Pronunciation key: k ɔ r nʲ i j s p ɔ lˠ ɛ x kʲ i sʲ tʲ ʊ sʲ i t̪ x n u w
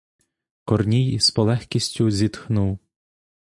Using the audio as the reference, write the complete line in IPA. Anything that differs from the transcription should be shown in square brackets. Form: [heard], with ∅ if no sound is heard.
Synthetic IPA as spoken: k ɔ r nʲ i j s p ɔ lˠ ɛ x kʲ i sʲ tʲ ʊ [zʲ] i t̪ x n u w